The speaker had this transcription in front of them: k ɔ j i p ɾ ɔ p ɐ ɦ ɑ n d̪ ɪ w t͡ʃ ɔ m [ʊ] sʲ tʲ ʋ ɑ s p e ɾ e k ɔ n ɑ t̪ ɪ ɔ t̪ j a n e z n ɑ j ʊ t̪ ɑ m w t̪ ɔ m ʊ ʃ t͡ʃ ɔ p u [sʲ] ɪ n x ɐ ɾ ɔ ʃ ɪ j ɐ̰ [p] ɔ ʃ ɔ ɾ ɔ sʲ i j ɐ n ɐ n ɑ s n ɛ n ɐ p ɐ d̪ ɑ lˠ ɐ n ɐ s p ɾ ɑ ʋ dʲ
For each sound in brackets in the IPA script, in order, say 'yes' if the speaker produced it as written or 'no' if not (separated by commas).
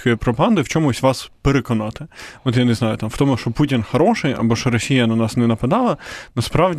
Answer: yes, no, no